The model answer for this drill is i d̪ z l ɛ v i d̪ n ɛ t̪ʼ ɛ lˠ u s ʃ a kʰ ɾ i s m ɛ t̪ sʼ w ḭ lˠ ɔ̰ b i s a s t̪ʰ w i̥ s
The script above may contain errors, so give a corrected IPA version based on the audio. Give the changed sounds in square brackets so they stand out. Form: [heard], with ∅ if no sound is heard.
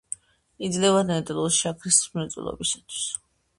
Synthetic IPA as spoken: i d̪ z l ɛ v [a] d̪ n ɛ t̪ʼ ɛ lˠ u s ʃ a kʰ ɾ i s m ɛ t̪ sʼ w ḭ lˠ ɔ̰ b i s a [∅] t̪ʰ w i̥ s